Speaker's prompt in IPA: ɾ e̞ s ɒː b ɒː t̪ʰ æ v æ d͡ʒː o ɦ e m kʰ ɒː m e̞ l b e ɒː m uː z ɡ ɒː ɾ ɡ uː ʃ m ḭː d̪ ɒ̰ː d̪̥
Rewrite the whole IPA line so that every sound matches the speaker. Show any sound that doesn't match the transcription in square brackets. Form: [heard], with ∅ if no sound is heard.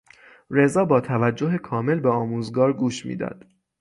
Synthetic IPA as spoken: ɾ e̞ [z] ɒː b ɒː t̪ʰ æ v æ d͡ʒː o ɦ e [∅] kʰ ɒː m e̞ l b e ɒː m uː z ɡ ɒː ɾ ɡ uː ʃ m ḭː d̪ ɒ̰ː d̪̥